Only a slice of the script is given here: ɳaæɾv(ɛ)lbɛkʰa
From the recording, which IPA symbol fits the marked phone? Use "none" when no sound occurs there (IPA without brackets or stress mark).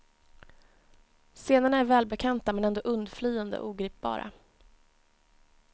ɛː